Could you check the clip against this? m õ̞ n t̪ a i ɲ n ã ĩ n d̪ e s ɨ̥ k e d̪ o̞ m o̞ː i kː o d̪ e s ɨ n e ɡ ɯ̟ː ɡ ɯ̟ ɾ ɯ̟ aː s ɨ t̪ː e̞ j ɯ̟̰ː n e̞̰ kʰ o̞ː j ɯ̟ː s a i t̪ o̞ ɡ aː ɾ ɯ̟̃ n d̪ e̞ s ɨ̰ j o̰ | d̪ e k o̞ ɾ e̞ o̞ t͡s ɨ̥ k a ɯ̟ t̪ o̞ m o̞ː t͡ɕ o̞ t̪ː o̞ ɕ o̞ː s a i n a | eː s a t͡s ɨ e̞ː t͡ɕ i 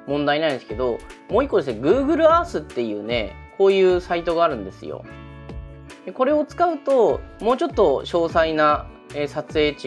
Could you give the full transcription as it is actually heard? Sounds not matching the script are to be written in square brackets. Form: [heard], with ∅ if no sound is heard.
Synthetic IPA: m õ̞ n [d̪] a i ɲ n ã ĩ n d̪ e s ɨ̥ k e d̪ o̞ m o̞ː i kː o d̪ e s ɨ n e ɡ ɯ̟ː ɡ ɯ̟ ɾ ɯ̟ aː s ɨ t̪ː e̞ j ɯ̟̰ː n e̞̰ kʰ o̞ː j ɯ̟ː s a i t̪ o̞ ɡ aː ɾ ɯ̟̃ n d̪ e̞ s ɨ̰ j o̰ | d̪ e k o̞ ɾ e̞ o̞ t͡s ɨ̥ k a ɯ̟ t̪ o̞ m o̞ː t͡ɕ o̞ t̪ː o̞ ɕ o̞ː s a i n a | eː s a t͡s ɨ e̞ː t͡ɕ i

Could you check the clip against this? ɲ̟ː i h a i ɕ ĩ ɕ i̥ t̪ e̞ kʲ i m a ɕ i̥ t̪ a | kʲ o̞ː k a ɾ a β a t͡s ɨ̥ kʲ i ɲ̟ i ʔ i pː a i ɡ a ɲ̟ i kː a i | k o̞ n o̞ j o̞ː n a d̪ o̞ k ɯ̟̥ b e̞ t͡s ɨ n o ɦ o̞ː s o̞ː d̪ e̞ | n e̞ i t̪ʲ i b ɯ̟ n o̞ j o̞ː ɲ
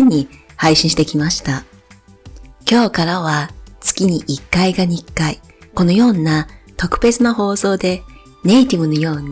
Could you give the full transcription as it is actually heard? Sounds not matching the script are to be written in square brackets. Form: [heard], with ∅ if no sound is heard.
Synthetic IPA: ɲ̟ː i h a i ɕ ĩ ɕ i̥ t̪ e̞ kʲ i m a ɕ i̥ t̪ a | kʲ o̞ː k a ɾ a β a t͡s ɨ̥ kʲ i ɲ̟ i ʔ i [kː] a i ɡ a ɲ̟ i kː a i | k o̞ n o̞ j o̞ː n a [t̪] o̞ k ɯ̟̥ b e̞ t͡s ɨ n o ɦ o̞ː s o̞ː d̪ e̞ | n e̞ i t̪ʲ i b ɯ̟ n o̞ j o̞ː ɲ

